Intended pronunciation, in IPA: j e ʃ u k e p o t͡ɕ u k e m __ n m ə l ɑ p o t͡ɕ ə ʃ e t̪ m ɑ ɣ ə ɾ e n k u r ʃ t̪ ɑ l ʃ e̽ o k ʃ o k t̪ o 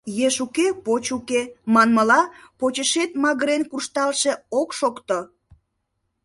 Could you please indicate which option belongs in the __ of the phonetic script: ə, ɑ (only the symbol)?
ɑ